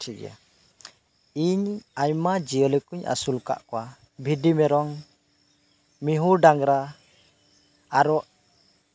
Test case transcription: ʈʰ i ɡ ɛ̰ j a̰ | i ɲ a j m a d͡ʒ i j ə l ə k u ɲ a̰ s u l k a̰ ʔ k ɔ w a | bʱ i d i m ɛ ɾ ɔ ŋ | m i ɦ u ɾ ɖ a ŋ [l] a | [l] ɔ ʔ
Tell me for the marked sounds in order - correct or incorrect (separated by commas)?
incorrect, incorrect